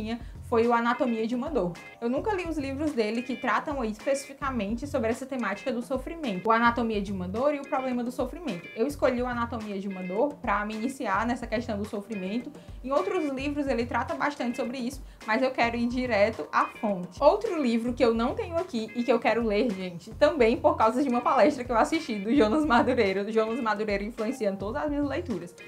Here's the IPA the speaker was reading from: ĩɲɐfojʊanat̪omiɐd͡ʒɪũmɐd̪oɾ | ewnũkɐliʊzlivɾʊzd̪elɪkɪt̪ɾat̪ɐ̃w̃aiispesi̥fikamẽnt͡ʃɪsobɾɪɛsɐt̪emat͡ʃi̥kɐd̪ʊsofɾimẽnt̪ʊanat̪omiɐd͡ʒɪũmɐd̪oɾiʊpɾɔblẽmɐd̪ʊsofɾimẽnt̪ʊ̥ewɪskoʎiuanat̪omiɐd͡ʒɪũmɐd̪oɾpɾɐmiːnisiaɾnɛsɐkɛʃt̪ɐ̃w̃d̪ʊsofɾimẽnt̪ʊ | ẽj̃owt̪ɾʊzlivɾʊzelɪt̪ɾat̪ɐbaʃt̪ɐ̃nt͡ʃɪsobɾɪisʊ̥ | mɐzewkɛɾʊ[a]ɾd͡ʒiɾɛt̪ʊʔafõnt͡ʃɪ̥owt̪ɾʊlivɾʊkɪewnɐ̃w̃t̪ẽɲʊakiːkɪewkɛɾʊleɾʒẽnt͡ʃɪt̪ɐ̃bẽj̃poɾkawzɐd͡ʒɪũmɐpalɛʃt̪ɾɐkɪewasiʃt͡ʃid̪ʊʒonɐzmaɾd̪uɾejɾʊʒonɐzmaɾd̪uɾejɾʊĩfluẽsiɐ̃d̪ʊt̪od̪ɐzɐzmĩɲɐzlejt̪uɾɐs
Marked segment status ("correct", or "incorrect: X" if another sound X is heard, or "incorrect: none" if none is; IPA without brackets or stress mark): incorrect: i